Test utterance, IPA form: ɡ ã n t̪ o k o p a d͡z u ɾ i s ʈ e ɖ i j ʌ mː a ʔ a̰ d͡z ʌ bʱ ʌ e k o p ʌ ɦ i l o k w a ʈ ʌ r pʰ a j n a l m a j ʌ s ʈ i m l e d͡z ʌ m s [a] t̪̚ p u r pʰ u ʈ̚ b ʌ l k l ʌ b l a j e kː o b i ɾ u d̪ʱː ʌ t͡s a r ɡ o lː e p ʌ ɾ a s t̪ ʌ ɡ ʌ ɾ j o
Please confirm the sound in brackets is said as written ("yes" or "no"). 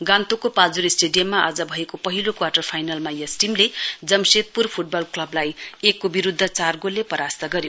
no